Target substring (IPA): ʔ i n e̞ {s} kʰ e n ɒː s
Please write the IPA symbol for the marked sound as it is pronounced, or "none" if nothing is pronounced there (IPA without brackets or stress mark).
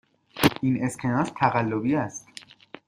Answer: s